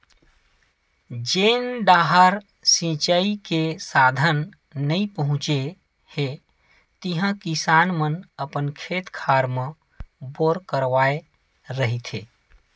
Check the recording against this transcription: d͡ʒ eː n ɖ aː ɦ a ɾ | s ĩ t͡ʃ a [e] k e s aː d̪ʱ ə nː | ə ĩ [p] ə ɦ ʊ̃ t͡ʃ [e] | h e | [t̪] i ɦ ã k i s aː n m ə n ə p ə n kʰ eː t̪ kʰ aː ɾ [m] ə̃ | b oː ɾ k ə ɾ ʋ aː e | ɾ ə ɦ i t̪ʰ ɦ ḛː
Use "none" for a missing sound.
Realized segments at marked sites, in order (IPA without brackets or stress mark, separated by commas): i, p, e, t̪, m